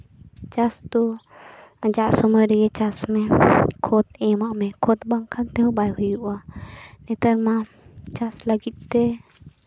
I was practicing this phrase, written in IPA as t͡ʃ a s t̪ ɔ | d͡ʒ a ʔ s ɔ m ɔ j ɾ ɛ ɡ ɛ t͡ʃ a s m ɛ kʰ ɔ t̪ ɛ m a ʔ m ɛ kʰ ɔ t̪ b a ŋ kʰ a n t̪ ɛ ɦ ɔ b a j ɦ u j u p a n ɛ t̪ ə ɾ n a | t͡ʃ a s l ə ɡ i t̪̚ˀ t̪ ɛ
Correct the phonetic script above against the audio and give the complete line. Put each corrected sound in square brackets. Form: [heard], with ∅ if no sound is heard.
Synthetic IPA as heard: t͡ʃ a s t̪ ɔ | d͡ʒ a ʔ s ɔ m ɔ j ɾ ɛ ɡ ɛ t͡ʃ a s m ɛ kʰ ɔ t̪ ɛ m a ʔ m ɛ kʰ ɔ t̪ b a ŋ kʰ a n t̪ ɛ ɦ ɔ b a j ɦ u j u [ʔ] a n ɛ t̪ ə ɾ [m] a | t͡ʃ a s l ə ɡ i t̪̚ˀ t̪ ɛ

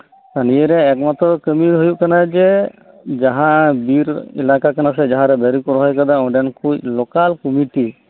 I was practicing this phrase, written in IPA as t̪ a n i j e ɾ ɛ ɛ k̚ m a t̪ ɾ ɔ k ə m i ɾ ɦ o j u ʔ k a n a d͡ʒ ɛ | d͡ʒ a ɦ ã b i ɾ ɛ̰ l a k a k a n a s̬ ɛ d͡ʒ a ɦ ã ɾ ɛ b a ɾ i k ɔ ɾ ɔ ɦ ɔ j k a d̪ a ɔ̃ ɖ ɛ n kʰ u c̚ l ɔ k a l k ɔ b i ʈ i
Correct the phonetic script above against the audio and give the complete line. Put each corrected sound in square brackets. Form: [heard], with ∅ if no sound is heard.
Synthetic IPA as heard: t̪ a n i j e ɾ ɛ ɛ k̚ m a t̪ ɾ ɔ k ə m i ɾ ɦ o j u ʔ k a n a d͡ʒ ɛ | d͡ʒ a ɦ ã b i ɾ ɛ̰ l a k a k a n a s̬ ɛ d͡ʒ a ɦ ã ɾ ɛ b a ɾ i k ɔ ɾ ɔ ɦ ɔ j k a d̪ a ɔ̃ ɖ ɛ n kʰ u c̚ l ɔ k a l k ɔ [m] i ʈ i

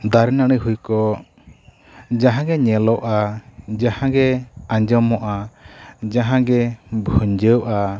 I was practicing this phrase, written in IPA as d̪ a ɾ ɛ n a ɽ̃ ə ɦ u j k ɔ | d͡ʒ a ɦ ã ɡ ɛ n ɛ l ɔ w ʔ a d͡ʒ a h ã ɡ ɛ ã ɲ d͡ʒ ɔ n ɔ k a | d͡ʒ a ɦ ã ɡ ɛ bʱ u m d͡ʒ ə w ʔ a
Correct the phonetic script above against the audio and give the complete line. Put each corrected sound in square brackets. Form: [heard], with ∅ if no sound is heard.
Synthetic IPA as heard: d̪ a ɾ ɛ n a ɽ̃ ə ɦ u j k ɔ | d͡ʒ a ɦ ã ɡ ɛ [ɲ] ɛ l ɔ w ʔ a d͡ʒ a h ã ɡ ɛ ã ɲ d͡ʒ ɔ [m] ɔ [ʔ] a | d͡ʒ a ɦ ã ɡ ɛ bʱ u [ɲ] d͡ʒ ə w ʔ a

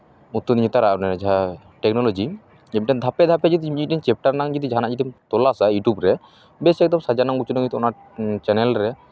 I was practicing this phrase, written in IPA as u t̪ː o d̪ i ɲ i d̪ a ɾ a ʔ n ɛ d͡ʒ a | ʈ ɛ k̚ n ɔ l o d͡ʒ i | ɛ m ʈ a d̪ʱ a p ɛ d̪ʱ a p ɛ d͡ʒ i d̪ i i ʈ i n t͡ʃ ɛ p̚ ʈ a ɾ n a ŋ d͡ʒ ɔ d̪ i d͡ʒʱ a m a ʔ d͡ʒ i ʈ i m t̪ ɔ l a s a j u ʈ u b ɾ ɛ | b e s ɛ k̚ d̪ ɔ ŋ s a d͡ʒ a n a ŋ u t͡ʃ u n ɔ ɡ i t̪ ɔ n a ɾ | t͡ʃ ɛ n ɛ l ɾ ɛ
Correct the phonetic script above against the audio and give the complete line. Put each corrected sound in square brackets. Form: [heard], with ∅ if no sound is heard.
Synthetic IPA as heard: u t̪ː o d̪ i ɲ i [t̪] a ɾ a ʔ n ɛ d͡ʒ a | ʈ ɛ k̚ n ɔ l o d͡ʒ i | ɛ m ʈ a d̪ʱ a p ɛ d̪ʱ a p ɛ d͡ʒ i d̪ i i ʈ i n t͡ʃ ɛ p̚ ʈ a ɾ n a ŋ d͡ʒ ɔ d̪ i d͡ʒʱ a [n] a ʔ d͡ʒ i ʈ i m t̪ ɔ l a s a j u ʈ u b ɾ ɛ | b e s ɛ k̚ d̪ ɔ [m] s a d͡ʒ a n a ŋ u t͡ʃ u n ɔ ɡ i t̪ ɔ n a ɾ | t͡ʃ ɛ n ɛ l ɾ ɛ

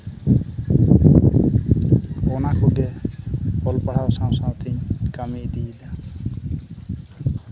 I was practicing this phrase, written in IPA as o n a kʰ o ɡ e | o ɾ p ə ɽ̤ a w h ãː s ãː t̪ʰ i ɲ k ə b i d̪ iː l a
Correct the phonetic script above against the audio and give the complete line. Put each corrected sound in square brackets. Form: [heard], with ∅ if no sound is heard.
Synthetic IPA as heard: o n a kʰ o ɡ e | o [l] p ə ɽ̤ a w [s] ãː s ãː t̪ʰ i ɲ k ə [m] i d̪ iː l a

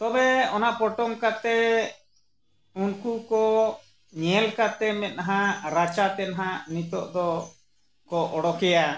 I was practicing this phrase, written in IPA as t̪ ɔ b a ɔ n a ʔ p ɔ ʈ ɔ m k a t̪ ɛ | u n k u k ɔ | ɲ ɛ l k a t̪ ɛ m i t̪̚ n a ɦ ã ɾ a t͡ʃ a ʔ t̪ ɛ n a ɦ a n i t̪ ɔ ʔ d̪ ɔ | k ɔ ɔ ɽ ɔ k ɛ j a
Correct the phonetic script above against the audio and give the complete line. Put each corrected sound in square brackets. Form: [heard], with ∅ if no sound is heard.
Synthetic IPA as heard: t̪ ɔ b [ɛ] ɔ n a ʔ p ɔ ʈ ɔ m k a t̪ ɛ | u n k u k ɔ | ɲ ɛ l k a t̪ ɛ m [ɛ] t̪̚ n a ɦ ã ɾ a t͡ʃ a [∅] t̪ ɛ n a ɦ a n i t̪ ɔ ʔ d̪ ɔ | k ɔ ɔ ɽ ɔ k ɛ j a

